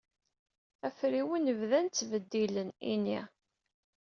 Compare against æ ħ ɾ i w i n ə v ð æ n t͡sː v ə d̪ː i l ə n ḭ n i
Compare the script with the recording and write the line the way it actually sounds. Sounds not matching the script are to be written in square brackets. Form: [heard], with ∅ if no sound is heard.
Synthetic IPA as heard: æ [f] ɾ i w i n ə v ð æ n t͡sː v ə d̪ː i l ə n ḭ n i

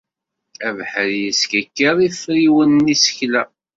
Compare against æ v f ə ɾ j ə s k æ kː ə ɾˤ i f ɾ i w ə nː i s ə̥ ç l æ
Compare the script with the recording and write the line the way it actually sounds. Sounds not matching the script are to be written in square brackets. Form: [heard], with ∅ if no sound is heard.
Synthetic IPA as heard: æ v [ħ] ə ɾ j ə s k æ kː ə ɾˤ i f ɾ i w ə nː i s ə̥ ç l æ

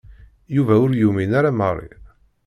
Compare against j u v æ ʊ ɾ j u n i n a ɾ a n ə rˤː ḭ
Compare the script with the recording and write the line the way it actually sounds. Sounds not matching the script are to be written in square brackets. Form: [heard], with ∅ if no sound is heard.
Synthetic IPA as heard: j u v æ ʊ ɾ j u [m] i n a ɾ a [m] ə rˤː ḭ

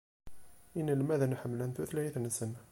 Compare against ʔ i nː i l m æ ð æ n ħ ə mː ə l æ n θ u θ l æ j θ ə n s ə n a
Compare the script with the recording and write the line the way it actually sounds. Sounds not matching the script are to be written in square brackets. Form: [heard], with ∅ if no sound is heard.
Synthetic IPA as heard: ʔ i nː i l m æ ð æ n ħ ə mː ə l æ n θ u θ l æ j θ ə n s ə n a

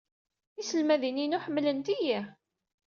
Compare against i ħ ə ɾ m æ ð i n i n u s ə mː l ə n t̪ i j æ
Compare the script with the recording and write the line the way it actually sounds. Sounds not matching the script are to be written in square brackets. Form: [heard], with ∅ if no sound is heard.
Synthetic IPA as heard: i [s] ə [l] m æ ð i n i n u [ħ] ə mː l ə n t̪ i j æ

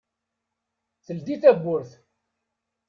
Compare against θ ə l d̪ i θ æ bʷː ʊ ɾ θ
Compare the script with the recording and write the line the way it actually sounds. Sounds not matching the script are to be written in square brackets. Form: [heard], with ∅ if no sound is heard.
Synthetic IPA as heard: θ ə l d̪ i θ æ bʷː ʊ ɾ θ

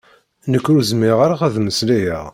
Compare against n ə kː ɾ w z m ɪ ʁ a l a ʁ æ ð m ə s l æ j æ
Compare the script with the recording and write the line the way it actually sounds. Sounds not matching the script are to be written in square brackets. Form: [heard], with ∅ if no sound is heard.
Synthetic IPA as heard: n ə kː ɾ [u] z m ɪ ʁ a [ɾ] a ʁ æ ð m ə s l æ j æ

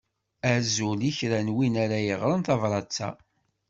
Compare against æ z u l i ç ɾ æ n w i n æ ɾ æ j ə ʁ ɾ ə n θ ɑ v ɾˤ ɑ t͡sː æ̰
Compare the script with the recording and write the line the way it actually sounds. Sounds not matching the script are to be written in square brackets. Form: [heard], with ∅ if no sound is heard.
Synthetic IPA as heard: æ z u l i ç ɾ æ n w i n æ ɾ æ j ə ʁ ɾ ə n θ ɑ v ɾˤ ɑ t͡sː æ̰

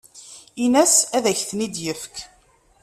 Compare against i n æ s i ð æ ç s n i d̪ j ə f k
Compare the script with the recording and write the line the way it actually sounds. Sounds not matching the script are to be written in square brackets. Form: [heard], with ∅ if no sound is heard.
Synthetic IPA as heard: i n æ s [æ] ð æ ç [θ] n i d̪ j ə f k

